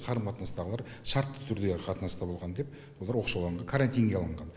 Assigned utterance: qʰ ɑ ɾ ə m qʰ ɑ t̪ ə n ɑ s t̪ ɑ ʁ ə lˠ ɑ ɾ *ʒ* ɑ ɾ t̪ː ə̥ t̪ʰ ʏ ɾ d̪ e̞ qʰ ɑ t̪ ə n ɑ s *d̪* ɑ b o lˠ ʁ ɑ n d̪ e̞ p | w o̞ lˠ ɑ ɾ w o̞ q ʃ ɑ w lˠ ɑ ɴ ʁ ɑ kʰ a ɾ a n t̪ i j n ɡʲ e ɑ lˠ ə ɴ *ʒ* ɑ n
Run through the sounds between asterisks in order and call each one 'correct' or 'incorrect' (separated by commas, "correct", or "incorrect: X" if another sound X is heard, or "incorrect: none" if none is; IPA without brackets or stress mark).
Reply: incorrect: ʃ, incorrect: t̪, incorrect: ʁ